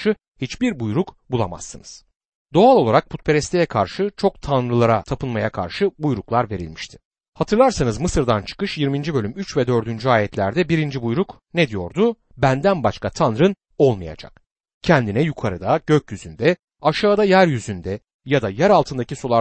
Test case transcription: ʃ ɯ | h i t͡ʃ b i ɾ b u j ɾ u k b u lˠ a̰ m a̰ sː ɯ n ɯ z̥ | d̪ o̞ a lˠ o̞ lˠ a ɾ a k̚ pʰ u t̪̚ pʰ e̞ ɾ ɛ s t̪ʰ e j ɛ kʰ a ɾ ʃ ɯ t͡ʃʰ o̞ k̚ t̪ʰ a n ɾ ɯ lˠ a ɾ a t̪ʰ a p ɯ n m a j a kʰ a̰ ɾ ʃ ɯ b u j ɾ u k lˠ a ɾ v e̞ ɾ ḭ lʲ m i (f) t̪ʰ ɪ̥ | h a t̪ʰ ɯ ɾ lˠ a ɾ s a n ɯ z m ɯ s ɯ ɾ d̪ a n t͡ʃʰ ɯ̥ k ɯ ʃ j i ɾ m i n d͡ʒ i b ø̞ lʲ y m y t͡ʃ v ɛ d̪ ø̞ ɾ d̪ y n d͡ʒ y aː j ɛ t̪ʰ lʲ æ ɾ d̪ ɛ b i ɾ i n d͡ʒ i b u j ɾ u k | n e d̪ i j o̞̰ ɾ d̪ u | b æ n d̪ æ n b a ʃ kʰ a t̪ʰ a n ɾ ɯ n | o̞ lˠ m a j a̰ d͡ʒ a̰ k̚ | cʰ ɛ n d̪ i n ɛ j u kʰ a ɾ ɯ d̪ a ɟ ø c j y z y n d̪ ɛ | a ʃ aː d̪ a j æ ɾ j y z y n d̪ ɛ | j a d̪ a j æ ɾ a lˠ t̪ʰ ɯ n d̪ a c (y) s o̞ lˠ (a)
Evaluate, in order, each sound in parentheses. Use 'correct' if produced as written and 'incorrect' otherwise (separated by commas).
incorrect, incorrect, correct